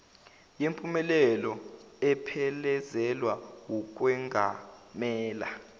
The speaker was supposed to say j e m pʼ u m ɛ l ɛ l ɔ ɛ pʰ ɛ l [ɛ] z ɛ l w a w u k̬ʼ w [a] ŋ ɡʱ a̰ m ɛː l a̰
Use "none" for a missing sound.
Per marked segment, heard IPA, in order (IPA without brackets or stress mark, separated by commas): ɛ, ɛ